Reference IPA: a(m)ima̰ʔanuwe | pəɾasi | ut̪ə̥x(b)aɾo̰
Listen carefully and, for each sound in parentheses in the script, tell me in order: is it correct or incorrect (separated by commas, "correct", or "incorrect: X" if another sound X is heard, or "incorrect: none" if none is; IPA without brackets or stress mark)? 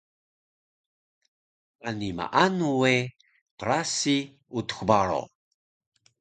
incorrect: n, correct